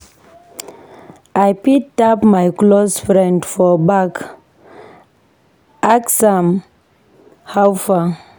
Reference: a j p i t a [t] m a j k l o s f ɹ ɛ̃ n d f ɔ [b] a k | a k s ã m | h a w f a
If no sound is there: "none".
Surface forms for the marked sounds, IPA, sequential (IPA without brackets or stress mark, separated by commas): p, b